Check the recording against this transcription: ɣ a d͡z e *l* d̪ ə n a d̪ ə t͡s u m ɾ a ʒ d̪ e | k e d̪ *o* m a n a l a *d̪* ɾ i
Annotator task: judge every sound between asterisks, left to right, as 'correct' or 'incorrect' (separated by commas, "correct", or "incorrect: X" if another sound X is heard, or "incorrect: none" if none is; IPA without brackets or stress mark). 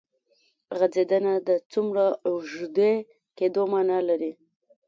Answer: incorrect: none, correct, incorrect: none